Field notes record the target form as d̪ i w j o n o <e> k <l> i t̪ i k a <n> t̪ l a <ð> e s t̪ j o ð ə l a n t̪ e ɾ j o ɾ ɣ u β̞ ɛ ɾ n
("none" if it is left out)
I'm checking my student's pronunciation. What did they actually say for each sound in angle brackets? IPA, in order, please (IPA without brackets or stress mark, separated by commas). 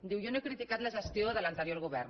e, ɾ, none, ʒ